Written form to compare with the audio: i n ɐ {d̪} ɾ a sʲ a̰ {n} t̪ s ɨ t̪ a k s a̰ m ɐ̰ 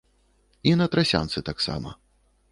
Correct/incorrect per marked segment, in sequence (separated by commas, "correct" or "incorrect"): incorrect, correct